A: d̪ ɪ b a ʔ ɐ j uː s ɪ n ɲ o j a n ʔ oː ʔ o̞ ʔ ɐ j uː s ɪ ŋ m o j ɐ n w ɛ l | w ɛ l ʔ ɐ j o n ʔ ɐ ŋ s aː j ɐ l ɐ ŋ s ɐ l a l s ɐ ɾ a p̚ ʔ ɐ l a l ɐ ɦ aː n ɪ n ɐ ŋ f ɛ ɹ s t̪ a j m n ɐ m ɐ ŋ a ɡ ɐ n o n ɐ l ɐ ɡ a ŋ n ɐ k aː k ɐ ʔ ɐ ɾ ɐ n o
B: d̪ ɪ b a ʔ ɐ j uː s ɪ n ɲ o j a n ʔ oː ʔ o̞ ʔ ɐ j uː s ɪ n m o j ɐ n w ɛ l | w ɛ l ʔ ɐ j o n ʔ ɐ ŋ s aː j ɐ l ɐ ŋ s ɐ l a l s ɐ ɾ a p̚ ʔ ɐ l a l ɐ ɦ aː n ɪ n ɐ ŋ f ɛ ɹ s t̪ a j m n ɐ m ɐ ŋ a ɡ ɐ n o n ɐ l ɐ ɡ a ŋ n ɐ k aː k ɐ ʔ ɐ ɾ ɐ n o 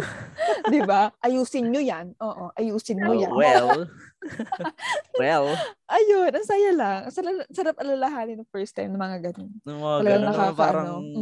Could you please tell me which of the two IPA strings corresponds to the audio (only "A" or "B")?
B